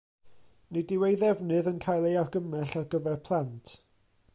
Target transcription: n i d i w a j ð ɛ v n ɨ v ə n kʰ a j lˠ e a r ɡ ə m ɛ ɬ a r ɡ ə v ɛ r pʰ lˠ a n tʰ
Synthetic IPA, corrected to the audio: n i d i w e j ð ɛ v n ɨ ð ə n kʰ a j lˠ e a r ɡ ə m ɛ ɬ a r ɡ ə v ɛ r pʰ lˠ a n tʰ